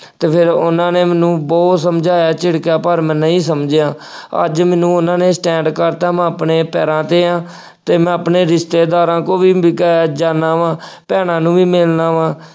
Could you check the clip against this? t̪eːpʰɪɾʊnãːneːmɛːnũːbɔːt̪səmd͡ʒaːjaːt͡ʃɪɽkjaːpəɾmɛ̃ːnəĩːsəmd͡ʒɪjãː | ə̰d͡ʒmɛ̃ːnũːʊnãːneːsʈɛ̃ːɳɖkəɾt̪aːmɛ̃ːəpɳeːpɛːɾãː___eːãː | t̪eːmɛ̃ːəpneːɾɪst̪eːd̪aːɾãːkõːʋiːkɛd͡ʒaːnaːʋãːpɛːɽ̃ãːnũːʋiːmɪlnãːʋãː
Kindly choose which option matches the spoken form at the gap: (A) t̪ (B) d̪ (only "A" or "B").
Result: A